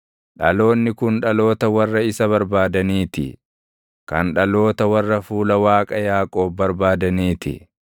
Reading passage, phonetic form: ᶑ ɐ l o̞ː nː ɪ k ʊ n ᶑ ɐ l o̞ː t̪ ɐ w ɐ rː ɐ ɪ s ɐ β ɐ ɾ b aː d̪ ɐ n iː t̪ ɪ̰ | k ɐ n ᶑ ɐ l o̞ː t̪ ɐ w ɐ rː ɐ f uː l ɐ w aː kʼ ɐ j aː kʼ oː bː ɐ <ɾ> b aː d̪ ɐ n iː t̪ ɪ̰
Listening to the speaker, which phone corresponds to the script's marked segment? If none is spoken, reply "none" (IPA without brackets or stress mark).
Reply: ɾ